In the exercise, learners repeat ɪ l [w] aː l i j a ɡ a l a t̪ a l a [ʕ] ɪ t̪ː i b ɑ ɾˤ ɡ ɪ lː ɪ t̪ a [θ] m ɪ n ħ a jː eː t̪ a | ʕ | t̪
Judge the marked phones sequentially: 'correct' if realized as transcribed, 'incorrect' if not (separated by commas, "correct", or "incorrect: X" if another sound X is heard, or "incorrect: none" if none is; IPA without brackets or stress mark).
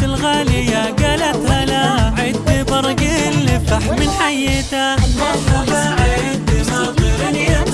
incorrect: ɣ, correct, incorrect: ħ